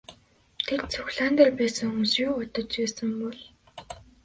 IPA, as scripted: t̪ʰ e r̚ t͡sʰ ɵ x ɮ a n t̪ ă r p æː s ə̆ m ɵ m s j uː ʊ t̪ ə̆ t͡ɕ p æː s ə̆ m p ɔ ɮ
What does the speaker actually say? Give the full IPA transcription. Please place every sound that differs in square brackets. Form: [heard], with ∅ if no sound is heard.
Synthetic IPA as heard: t̪ʰ e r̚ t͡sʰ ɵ x ɮ a n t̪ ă r p æː s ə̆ [ŋ] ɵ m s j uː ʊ t̪ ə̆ t͡ɕ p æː s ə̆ m p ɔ ɮ